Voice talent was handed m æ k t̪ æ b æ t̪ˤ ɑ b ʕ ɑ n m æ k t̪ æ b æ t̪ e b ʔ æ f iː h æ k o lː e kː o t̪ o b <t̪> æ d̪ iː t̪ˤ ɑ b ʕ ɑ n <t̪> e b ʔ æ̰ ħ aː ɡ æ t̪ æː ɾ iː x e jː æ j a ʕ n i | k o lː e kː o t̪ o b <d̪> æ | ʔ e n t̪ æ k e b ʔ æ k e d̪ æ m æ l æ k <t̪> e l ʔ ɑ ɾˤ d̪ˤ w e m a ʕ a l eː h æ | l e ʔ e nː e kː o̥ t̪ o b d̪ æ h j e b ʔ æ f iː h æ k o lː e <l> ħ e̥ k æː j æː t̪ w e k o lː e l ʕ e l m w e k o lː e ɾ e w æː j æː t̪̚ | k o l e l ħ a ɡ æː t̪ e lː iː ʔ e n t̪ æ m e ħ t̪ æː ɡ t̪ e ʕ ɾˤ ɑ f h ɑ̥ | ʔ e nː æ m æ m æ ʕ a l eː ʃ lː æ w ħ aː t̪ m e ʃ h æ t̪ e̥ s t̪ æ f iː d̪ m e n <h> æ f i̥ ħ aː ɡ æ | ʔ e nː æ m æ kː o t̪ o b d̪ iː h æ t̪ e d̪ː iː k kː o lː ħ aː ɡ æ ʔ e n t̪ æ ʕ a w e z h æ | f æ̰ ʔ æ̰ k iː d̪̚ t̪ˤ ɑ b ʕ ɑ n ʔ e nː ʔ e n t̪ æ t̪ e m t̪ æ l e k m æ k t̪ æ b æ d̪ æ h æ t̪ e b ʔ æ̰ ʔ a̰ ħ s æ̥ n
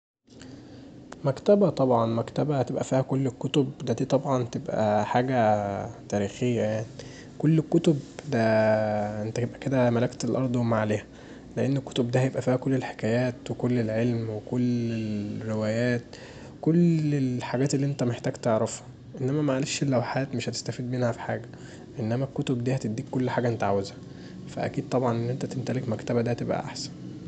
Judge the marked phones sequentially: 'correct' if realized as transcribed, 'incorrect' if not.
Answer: incorrect: d̪, correct, correct, correct, correct, correct

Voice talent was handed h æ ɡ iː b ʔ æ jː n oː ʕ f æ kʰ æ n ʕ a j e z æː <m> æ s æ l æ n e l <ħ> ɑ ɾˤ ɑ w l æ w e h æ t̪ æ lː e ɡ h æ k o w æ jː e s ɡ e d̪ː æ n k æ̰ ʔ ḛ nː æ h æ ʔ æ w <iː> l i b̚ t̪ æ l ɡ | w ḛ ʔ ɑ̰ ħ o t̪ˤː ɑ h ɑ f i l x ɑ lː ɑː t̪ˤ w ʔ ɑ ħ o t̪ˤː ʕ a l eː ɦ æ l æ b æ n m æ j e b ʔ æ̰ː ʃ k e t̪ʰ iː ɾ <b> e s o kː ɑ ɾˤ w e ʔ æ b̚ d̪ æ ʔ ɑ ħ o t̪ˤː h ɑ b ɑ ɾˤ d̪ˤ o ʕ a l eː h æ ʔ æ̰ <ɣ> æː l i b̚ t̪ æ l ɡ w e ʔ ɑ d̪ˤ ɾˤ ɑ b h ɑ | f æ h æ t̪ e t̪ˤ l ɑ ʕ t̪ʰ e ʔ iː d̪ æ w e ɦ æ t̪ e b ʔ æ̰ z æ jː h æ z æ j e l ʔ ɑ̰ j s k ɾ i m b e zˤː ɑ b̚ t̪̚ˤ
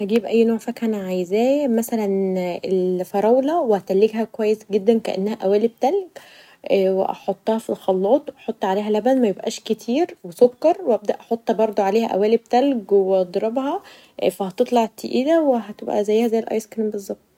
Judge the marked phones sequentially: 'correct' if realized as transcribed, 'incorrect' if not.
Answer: correct, incorrect: f, incorrect: æː, incorrect: w, incorrect: w

